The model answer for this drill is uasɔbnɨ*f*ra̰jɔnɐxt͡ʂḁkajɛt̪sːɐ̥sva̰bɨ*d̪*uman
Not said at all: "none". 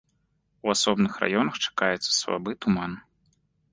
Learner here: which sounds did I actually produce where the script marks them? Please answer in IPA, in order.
x, t̪

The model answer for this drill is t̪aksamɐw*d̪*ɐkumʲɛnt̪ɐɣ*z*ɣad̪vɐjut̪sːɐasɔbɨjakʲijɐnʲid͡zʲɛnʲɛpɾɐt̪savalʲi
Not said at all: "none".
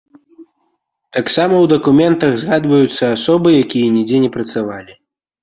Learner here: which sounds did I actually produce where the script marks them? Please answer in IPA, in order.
d̪, z

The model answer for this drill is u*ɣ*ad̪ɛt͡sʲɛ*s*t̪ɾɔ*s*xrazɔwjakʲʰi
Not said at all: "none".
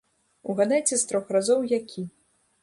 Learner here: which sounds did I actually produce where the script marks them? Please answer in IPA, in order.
ɣ, s, none

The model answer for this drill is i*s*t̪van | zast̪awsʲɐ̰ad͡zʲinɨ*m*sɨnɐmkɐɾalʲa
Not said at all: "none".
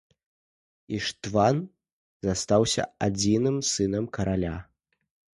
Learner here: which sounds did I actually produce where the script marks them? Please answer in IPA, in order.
ʂ, m

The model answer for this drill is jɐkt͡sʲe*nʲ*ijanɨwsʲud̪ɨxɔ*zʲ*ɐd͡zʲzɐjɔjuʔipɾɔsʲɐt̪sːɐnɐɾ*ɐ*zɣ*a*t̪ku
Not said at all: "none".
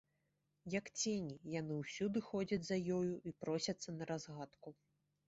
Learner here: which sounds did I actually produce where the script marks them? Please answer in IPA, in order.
nʲ, d͡zʲ, a, a

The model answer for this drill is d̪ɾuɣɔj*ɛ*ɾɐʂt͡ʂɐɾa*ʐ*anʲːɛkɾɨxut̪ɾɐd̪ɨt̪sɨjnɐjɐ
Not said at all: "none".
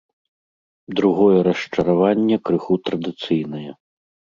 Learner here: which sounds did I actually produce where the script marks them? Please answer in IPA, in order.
ɛ, v

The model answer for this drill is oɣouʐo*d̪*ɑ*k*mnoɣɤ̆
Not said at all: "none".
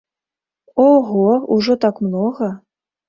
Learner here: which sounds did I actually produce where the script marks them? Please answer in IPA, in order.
t̪, k

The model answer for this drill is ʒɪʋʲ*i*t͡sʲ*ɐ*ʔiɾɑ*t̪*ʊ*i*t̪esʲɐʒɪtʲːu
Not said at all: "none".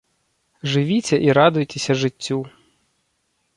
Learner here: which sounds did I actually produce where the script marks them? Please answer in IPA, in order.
i, ɐ, d̪, j

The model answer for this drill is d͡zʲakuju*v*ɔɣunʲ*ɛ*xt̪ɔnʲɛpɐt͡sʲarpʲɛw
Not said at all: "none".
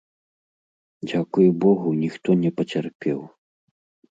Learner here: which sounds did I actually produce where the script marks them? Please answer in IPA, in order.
b, i

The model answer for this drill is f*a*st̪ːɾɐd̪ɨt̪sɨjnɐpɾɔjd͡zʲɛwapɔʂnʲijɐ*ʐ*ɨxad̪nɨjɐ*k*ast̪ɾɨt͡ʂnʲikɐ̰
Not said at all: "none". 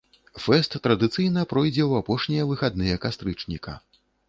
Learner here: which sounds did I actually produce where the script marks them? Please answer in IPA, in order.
ɛ, v, k

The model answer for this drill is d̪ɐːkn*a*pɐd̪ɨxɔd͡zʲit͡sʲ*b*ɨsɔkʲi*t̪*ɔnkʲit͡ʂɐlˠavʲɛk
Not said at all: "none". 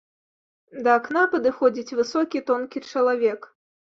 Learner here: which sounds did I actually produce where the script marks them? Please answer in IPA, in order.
a, v, t̪

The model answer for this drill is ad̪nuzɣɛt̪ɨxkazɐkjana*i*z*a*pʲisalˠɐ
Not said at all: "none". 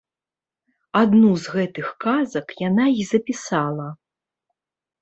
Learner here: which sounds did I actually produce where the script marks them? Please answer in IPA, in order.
i, ɐ

